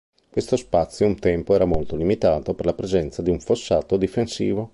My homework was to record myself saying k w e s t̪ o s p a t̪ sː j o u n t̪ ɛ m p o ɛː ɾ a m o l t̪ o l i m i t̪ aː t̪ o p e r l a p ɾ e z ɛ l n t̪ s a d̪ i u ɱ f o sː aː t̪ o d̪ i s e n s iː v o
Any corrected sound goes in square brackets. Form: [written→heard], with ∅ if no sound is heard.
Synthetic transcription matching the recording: k w e s t̪ o s p a t̪ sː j o u n t̪ ɛ m p o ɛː ɾ a m o l t̪ o l i m i t̪ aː t̪ o p e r l a p ɾ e z ɛ [l→∅] n t̪ s a d̪ i u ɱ f o sː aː t̪ o d̪ i [s→f] e n s iː v o